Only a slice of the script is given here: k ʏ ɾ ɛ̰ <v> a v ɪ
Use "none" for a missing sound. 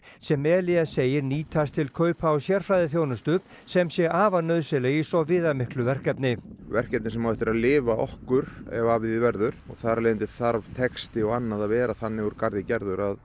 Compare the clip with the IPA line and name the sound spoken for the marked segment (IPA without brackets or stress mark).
v